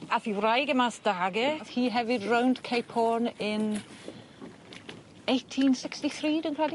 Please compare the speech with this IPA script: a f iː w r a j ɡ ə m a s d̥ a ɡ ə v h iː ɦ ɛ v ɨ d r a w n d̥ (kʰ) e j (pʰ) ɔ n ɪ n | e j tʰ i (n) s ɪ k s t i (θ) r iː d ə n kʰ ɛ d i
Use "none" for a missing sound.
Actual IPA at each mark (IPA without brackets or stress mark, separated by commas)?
kʰ, pʰ, n, θ